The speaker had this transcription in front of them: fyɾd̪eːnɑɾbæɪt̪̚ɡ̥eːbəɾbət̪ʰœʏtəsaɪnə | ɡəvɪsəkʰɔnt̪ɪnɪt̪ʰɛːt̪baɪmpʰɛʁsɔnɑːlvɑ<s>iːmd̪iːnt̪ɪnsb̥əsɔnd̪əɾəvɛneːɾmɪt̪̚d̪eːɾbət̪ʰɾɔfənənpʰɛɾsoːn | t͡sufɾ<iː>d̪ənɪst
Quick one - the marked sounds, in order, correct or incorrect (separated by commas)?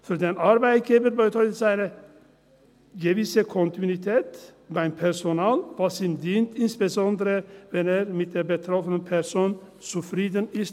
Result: correct, correct